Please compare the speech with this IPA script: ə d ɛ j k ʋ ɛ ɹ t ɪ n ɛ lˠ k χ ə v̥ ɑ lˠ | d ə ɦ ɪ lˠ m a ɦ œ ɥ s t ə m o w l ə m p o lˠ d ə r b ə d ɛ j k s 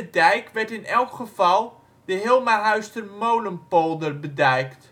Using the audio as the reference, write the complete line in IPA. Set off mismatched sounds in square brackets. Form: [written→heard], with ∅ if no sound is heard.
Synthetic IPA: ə d ɛ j k ʋ ɛ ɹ t ɪ n ɛ lˠ k χ ə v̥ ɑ lˠ | d ə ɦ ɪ lˠ m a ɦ œ ɥ s t ə m o w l ə m p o lˠ d ə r b ə d ɛ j k [s→t]